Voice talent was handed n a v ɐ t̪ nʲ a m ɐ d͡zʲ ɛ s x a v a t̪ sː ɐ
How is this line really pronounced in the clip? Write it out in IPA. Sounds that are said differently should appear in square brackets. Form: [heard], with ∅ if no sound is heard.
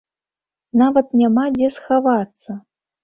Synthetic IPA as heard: n a v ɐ t̪ nʲ a m [a] d͡zʲ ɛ s x a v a t̪ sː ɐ